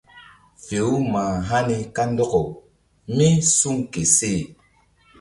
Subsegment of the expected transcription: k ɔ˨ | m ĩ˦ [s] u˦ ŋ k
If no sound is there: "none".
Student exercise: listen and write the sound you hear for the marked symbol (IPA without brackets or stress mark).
s